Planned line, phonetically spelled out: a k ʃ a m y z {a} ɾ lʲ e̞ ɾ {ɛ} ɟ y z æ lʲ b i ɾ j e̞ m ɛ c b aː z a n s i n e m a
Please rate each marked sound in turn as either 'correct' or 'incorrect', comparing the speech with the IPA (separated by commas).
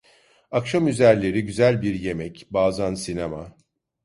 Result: incorrect, incorrect